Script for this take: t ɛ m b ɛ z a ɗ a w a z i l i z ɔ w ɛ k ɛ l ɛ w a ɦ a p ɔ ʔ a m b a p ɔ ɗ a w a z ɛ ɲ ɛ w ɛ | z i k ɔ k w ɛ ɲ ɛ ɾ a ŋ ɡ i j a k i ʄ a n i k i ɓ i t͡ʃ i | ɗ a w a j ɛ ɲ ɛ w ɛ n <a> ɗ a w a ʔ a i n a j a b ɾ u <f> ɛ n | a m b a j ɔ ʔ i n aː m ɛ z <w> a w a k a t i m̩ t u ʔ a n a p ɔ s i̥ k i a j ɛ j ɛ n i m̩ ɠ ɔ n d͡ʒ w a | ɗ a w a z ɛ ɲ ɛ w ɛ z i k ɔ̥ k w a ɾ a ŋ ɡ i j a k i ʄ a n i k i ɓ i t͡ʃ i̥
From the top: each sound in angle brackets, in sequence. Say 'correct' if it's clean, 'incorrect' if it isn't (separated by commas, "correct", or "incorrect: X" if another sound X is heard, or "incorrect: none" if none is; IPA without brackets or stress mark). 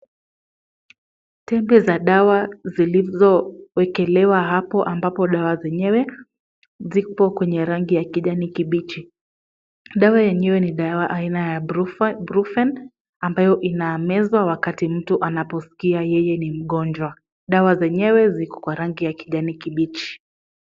incorrect: i, correct, correct